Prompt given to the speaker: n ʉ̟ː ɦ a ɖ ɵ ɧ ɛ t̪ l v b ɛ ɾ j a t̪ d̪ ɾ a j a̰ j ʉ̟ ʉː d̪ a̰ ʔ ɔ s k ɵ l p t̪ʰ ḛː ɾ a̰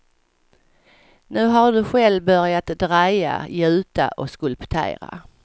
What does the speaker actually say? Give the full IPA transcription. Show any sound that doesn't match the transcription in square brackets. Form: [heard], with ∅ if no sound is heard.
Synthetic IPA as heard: n ʉ̟ː ɦ a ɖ ɵ ɧ ɛ [∅] l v b [œ] ɾ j a t̪ d̪ ɾ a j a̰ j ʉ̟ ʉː [t̪] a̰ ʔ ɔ s k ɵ l p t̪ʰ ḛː ɾ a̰